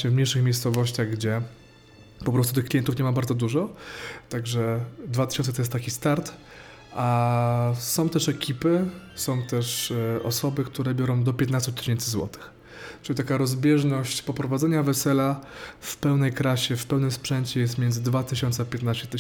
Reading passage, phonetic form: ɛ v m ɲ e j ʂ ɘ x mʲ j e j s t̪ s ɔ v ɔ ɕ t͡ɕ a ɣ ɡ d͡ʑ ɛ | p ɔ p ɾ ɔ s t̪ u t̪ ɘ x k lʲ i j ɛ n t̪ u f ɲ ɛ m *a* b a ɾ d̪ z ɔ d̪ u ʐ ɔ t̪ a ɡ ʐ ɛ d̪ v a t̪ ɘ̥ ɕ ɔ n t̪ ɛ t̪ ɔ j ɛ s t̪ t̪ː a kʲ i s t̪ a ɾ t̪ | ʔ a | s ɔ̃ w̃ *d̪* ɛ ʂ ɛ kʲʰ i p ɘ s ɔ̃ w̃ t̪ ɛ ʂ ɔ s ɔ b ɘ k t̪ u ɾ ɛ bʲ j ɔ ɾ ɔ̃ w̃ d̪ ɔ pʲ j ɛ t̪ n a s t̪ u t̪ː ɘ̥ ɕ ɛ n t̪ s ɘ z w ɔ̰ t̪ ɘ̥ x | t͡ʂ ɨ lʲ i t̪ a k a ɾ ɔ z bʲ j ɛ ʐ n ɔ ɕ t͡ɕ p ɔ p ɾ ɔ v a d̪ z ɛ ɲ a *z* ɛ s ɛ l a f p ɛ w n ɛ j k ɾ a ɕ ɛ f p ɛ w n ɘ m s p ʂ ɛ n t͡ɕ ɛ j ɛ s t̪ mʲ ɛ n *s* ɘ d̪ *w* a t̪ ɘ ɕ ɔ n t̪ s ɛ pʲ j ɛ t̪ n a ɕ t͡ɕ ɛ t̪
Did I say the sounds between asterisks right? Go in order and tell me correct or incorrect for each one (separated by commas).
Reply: correct, incorrect, incorrect, incorrect, incorrect